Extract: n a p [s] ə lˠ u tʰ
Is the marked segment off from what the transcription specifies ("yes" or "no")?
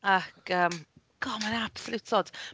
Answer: no